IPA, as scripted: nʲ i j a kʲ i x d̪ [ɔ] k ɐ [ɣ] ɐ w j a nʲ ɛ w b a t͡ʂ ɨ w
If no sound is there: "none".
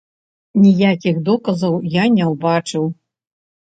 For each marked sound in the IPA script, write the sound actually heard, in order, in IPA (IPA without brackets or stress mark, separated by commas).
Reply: ɔ, z